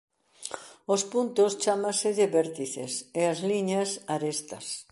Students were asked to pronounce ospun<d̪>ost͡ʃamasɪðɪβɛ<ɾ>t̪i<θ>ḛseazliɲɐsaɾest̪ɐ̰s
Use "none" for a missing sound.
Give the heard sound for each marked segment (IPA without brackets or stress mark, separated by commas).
t̪, ɾ, θ